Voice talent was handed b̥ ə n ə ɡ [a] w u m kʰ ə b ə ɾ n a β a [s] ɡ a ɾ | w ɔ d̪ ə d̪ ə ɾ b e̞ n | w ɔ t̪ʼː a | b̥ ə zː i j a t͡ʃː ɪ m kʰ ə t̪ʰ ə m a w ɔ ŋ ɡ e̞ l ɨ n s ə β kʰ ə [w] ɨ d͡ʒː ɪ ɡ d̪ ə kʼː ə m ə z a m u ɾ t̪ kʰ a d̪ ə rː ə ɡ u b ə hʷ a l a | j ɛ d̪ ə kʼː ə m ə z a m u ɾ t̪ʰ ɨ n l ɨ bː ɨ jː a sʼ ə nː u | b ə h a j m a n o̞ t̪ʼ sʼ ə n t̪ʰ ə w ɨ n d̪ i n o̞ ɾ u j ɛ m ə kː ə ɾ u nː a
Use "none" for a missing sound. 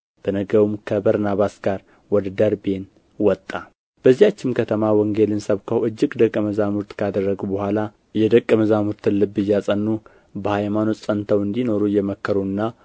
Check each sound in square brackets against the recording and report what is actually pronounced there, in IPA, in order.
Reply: ə, s, w

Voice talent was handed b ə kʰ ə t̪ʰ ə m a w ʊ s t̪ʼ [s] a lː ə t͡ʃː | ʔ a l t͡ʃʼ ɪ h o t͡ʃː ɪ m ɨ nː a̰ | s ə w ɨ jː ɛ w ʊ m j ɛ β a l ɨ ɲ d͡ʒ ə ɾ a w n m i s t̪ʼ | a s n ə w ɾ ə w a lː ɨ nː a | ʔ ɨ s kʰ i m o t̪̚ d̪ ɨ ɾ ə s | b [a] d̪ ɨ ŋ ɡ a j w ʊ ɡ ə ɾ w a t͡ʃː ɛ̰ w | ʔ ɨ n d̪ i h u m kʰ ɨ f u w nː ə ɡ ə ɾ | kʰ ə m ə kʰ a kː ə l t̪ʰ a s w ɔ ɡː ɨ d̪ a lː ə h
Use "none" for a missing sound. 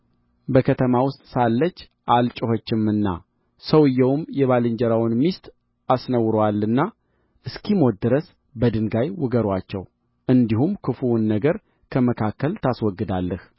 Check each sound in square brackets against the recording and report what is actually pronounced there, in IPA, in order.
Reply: s, ə

